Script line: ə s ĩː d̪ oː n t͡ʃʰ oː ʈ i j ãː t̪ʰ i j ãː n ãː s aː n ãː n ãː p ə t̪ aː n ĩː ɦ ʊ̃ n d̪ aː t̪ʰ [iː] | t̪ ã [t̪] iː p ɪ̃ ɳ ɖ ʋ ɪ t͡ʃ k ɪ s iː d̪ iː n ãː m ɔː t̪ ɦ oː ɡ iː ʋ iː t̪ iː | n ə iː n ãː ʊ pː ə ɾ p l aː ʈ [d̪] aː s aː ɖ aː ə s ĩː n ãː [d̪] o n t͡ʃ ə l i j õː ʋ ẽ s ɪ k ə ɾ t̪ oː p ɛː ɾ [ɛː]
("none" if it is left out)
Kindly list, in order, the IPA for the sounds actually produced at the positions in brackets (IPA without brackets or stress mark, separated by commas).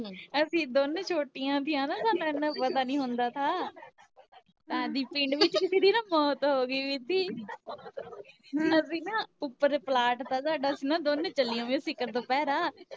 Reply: aː, d̪, t̪, d̪, aː